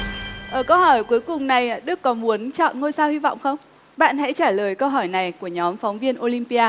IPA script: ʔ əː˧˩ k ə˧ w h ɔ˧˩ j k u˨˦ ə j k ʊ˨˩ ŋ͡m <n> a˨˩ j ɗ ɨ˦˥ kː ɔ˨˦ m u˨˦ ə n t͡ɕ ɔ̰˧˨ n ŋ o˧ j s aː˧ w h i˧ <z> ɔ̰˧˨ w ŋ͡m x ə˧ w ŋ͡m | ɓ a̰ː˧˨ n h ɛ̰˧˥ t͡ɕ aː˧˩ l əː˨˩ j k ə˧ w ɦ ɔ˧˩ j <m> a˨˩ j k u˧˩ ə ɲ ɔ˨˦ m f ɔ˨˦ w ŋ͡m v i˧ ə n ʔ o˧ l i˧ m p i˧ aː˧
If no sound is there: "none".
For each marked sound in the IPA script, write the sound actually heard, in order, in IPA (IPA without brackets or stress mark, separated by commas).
n, v, n